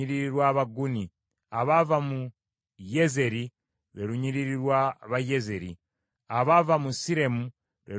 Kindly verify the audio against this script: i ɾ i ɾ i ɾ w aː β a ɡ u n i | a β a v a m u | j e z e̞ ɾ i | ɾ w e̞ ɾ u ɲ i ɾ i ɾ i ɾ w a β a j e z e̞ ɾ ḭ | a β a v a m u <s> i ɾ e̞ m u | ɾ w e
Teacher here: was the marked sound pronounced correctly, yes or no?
yes